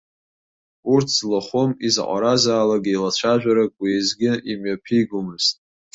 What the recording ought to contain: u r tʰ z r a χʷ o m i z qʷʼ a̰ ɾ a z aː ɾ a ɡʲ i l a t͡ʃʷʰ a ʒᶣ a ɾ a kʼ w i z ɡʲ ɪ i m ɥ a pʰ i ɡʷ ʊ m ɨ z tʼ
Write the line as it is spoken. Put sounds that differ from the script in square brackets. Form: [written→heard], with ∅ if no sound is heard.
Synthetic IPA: u r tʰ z [r→l] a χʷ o m i z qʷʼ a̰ ɾ a z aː [ɾ→l] a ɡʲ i l a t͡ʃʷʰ a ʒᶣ a ɾ a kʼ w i z ɡʲ ɪ i m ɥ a pʰ i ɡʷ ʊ m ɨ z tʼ

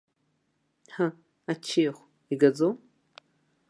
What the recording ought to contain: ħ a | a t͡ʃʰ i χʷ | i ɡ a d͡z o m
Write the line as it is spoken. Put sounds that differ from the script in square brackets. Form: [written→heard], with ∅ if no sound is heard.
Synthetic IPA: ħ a | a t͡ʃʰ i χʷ | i ɡ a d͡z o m

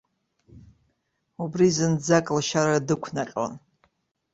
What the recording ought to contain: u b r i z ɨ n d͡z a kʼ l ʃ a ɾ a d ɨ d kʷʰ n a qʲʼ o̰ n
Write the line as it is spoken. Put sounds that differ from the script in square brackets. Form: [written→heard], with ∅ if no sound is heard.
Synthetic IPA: u b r i z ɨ n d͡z a kʼ l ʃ a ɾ a d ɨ [d→∅] kʷʰ n a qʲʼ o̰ n

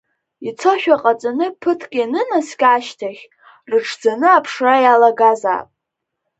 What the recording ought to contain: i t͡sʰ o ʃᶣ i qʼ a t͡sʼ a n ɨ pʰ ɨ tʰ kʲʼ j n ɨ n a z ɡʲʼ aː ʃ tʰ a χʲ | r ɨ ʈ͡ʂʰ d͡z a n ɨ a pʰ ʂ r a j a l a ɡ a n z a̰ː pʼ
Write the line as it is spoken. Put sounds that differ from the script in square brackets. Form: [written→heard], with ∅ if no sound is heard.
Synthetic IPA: i t͡sʰ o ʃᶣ [i→a] qʼ a t͡sʼ a n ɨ pʰ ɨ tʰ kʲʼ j n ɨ n a [z→s] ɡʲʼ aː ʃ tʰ a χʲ | r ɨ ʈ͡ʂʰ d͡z a n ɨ a pʰ ʂ r a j a l a ɡ a [n→∅] z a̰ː pʼ

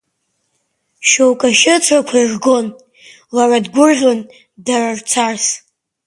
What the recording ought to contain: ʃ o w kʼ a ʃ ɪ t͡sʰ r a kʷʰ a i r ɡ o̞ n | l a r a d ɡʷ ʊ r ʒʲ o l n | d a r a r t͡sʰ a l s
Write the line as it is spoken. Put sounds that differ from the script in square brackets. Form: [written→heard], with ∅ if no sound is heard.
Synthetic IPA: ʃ o w kʼ a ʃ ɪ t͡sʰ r a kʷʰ a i r ɡ o̞ n | l a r a d ɡʷ ʊ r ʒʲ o [l→∅] n | d a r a r t͡sʰ a [l→r] s

